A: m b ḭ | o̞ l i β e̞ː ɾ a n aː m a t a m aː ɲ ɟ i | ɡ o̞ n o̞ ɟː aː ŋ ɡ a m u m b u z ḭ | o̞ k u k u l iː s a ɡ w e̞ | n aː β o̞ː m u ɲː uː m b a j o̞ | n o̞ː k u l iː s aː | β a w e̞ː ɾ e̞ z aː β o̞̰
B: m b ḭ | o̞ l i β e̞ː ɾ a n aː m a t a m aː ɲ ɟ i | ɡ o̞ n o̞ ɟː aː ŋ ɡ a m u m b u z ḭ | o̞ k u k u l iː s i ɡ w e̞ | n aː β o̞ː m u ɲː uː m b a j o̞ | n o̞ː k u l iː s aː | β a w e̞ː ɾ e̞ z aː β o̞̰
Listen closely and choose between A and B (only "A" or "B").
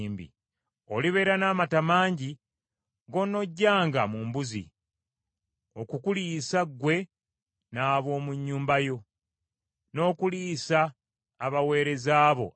A